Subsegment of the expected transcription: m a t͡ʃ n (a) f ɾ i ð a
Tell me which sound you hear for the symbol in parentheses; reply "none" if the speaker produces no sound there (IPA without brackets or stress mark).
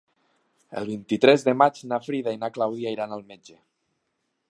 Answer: a